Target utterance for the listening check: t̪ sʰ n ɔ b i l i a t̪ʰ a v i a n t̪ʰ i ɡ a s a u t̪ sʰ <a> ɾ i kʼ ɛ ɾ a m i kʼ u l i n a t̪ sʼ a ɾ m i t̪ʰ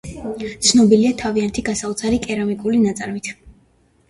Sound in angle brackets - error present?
no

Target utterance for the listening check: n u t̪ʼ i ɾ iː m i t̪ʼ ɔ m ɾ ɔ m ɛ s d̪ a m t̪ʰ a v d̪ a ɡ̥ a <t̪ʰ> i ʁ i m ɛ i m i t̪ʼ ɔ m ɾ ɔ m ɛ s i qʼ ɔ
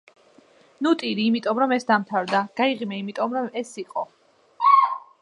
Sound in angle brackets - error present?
yes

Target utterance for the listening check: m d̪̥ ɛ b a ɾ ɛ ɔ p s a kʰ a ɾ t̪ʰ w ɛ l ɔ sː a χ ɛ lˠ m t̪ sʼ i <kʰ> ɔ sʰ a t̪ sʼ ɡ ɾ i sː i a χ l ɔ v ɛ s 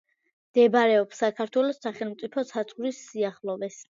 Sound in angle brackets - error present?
yes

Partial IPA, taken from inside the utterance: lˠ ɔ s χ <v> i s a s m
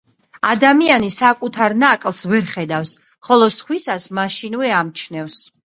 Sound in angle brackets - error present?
yes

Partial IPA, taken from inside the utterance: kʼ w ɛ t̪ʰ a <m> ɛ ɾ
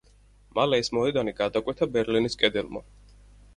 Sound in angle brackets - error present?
yes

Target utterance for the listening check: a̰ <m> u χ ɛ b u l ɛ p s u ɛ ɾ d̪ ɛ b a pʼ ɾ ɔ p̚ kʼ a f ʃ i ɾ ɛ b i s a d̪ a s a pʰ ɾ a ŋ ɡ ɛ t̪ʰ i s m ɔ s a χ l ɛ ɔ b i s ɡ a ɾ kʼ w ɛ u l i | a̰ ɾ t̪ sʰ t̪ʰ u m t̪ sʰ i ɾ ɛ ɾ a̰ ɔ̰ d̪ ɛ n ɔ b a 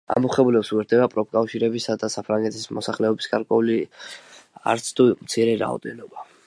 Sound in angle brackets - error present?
no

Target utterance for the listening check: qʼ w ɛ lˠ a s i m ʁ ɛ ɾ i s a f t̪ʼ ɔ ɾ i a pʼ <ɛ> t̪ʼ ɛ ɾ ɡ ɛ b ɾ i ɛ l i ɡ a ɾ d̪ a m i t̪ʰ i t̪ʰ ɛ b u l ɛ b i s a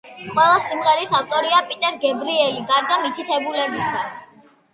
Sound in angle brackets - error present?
yes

